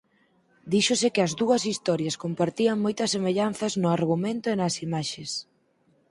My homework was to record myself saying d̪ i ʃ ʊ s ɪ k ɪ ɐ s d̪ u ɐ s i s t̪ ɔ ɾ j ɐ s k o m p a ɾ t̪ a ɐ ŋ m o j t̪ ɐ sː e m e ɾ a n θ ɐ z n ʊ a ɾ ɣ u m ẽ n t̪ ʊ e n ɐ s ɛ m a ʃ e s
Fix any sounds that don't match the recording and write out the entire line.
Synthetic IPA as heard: d̪ i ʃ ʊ s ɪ k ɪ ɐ z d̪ u ɐ s i s t̪ ɔ ɾ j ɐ s k o m p a ɾ t̪ i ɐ ŋ m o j t̪ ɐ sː e m e ʎ a n θ ɐ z n ʊ a ɾ ɣ u m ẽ n t̪ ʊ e n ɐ s i m a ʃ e s